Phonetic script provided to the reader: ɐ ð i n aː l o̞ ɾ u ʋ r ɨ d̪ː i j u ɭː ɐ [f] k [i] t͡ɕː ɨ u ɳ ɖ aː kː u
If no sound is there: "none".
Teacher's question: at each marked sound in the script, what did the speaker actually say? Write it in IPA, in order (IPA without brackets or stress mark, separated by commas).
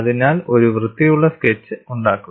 s, e